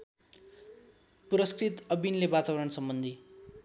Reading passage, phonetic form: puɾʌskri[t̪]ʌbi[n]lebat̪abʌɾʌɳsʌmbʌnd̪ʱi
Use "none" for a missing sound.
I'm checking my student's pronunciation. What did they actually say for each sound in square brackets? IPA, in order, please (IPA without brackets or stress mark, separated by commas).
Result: t̪, n